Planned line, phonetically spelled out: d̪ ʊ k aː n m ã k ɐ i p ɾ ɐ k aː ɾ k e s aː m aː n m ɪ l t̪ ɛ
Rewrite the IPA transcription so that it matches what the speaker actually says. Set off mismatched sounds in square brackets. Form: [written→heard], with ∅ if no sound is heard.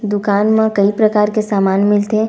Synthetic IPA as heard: d̪ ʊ k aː n m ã k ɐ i p ɾ ɐ k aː ɾ k e s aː m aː n m ɪ l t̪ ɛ